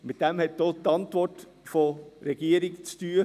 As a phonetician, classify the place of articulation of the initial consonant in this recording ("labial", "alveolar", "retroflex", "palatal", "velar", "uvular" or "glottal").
labial